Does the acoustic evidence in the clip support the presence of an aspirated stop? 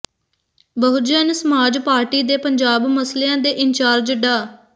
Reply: no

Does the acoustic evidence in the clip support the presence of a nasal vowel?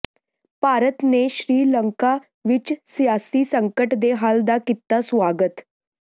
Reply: no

